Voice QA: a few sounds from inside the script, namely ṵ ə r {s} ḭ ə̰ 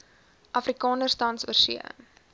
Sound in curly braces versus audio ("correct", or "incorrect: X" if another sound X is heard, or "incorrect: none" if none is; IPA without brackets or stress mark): correct